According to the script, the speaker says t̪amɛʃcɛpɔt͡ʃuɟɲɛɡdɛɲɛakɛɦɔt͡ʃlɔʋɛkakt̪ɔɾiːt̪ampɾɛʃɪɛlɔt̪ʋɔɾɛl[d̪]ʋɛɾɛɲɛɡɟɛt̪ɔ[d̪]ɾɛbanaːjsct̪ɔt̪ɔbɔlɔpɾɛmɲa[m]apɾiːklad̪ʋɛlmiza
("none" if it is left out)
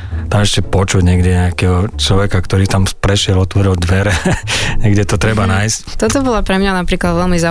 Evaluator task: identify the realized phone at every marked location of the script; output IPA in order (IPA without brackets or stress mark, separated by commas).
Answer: d̪, t̪, n